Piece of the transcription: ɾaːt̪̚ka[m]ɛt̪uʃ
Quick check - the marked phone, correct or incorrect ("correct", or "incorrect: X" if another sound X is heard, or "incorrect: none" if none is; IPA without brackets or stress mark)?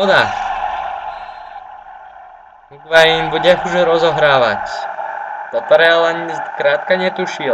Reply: incorrect: ɲ